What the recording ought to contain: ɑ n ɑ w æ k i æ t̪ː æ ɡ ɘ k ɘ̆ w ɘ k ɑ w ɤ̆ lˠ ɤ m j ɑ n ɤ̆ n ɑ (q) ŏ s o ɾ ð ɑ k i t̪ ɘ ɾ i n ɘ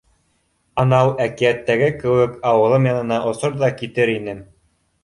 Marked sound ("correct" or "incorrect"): incorrect